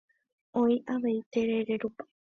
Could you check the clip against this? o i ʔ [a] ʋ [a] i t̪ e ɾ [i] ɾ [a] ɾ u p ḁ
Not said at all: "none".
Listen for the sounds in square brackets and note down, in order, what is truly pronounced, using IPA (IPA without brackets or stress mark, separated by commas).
a, e, e, e